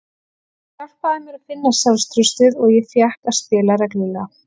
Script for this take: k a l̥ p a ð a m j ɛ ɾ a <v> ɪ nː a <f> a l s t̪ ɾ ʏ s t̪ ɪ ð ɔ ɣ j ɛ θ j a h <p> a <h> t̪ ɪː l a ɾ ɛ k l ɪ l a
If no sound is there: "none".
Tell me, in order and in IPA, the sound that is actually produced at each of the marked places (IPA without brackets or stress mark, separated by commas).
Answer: f, s, k, s